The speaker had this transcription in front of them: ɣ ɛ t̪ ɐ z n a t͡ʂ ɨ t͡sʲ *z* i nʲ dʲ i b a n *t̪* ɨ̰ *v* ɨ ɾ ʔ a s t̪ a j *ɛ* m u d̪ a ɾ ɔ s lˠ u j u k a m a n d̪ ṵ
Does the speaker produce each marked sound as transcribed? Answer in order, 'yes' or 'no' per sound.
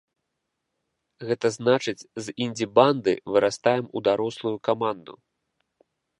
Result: yes, no, yes, yes

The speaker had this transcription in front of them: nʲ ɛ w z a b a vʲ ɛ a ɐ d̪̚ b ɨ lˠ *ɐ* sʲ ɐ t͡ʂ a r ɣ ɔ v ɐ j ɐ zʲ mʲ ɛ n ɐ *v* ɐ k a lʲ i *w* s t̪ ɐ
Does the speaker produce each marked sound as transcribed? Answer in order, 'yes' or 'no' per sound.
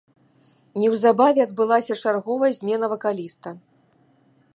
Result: no, yes, no

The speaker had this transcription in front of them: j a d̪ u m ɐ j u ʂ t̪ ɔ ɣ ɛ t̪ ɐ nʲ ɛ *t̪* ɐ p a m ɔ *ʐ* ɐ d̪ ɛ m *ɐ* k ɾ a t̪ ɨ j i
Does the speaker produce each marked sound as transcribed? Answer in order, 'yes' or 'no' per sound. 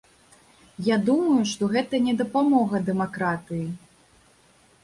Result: no, no, no

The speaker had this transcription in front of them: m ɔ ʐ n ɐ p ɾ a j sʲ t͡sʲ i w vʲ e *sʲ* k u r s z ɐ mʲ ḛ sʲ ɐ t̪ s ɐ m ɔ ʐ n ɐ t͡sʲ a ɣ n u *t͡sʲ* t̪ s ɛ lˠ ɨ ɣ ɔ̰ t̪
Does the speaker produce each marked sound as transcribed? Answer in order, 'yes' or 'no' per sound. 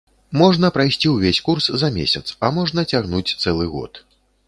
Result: yes, yes

